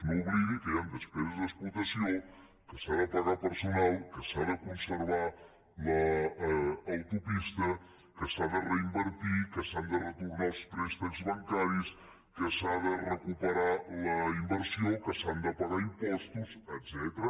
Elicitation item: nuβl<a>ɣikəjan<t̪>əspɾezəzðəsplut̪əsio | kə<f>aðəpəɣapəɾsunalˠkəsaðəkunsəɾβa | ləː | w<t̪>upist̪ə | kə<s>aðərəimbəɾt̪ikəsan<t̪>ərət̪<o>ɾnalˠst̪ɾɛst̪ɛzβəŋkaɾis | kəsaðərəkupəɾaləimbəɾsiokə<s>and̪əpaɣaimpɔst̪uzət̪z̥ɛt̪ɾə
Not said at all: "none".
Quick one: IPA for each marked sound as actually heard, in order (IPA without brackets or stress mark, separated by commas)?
i, d̪, s, t̪, s, d̪, u, s